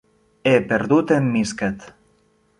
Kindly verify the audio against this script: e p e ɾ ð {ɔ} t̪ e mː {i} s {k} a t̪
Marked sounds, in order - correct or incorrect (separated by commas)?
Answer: incorrect, correct, correct